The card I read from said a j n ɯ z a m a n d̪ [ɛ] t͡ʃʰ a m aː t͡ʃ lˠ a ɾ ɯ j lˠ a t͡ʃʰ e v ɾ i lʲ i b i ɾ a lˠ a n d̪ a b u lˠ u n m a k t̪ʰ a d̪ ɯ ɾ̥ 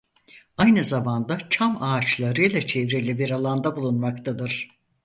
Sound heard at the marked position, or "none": a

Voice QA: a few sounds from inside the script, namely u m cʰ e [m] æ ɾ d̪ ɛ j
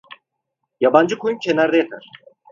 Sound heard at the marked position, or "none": n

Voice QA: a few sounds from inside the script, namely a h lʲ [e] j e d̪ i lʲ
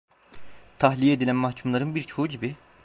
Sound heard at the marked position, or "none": i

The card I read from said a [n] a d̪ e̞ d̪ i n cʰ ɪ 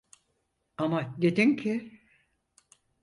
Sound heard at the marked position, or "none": m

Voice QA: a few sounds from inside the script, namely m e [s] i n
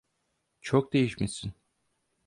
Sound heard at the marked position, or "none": s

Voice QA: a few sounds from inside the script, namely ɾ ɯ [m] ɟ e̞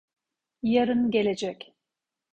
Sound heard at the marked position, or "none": n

